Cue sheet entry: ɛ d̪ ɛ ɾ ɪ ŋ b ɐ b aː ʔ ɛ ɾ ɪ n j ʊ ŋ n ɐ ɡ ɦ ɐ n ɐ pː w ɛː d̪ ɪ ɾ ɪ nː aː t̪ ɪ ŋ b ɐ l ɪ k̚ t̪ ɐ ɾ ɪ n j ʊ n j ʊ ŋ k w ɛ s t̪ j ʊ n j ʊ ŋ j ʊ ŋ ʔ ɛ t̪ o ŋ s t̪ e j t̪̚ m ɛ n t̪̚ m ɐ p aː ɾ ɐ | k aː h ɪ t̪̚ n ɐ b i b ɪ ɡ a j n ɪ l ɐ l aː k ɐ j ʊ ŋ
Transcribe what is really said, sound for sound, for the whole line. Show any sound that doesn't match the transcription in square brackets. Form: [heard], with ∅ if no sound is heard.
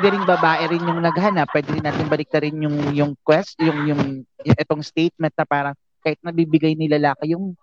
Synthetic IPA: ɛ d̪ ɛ ɾ ɪ ŋ b ɐ b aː ʔ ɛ ɾ ɪ n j ʊ ŋ n ɐ ɡ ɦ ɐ n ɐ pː w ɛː d̪ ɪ ɾ ɪ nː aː t̪ ɪ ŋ b ɐ l ɪ k̚ t̪ ɐ ɾ ɪ n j ʊ [ŋ] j ʊ ŋ k w ɛ s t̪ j ʊ [ŋ] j ʊ ŋ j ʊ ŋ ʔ ɛ t̪ o ŋ s t̪ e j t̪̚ m ɛ n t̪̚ [n] ɐ p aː ɾ ɐ | k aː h ɪ t̪̚ n ɐ b i b ɪ ɡ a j n ɪ l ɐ l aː k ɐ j ʊ ŋ